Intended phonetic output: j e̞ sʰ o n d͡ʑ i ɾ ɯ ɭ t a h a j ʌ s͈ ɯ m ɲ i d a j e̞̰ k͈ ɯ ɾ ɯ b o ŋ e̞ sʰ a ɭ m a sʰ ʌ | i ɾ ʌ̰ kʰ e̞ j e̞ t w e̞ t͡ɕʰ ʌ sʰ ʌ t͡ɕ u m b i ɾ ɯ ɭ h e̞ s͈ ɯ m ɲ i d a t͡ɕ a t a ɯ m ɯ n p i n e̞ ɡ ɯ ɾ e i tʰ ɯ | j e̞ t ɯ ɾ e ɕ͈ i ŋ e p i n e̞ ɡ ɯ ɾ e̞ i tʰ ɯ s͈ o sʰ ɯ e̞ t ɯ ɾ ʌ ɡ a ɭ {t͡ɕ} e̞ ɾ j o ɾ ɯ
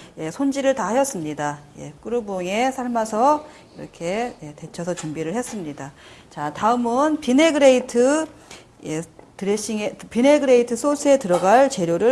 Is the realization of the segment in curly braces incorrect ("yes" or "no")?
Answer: no